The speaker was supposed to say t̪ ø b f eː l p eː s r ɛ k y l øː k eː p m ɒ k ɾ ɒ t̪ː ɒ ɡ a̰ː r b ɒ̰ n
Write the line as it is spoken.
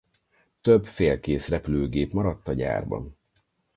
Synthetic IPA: t̪ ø b f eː l k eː s r ɛ p y l øː ɡ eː p m ɒ ɾ ɒ t̪ː ɒ ɟ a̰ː r b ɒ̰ n